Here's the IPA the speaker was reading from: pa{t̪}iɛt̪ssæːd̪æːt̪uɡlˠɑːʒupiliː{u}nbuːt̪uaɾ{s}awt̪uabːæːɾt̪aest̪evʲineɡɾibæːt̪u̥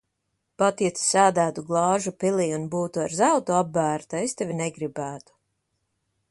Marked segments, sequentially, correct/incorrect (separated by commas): correct, correct, incorrect